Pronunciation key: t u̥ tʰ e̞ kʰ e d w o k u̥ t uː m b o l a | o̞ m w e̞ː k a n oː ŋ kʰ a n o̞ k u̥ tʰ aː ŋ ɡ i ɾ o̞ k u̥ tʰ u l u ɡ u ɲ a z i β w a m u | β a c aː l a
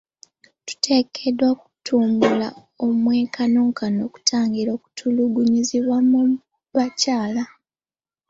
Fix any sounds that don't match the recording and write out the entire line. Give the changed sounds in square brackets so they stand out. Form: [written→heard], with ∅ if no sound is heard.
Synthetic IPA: t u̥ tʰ e̞ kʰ e d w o k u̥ t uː m b [o→u] l a | o̞ m w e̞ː k a n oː ŋ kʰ a n o̞ k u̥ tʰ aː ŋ ɡ i ɾ o̞ k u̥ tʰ u l u ɡ u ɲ [a→i] z i β w a m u | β a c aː l a